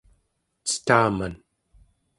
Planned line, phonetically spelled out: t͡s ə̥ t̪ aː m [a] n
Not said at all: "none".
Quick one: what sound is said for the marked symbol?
a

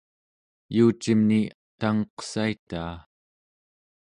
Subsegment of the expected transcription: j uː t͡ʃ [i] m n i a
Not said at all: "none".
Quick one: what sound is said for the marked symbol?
i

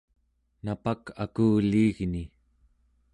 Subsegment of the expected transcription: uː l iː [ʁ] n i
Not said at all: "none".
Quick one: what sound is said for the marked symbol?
ɣ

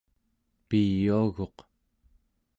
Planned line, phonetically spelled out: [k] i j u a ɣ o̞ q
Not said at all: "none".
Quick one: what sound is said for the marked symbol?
p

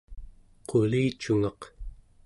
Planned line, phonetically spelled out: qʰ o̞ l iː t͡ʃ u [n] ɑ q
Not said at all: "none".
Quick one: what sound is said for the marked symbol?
ŋ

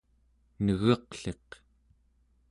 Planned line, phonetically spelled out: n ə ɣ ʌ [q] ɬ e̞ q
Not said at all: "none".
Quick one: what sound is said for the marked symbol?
q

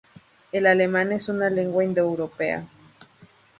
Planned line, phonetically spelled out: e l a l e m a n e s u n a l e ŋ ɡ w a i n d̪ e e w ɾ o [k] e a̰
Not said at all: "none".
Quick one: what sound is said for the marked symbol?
p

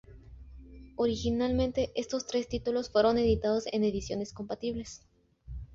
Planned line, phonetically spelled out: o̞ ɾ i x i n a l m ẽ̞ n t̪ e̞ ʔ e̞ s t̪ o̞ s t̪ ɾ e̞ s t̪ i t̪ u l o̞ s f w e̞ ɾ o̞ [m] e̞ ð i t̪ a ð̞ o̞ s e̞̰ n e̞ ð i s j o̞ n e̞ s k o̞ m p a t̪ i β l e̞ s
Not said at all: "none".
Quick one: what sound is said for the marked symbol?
n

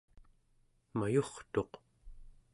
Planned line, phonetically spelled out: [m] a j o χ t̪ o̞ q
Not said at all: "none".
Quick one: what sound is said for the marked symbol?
m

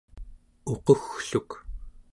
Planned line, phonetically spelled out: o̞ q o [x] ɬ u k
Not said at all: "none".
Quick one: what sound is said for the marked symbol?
x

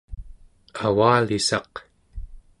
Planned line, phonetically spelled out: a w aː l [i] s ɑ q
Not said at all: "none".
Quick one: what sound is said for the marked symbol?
i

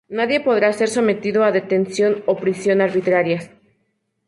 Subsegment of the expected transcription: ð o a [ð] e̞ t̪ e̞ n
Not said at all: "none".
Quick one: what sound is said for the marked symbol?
ð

